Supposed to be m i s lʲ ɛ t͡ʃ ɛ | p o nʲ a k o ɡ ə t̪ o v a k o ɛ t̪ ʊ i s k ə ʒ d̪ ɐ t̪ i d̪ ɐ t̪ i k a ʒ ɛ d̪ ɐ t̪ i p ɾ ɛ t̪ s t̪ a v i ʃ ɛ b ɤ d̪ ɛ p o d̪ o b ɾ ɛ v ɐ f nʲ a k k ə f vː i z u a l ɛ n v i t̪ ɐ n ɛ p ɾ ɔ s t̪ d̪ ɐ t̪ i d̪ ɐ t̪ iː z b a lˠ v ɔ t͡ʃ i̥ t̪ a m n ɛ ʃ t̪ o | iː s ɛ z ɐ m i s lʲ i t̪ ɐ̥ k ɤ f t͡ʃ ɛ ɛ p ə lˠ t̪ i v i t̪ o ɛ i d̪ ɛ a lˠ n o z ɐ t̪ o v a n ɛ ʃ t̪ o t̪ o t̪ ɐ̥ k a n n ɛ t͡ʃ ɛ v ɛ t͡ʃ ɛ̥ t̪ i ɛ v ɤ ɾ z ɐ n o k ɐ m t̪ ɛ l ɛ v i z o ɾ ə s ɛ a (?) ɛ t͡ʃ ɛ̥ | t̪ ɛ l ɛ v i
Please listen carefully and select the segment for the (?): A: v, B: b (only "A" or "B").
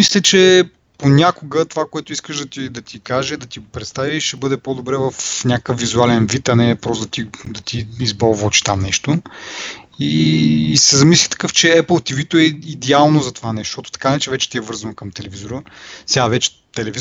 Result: A